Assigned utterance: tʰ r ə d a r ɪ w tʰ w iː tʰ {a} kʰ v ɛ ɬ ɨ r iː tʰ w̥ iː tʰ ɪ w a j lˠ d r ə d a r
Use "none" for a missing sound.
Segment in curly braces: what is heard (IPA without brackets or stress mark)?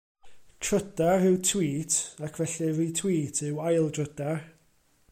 a